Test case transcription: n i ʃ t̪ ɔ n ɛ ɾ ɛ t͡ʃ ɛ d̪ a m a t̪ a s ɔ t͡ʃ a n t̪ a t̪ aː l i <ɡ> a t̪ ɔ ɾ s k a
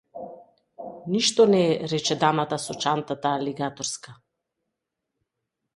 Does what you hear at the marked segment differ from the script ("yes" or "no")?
no